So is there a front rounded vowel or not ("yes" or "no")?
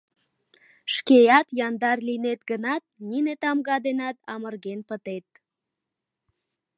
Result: no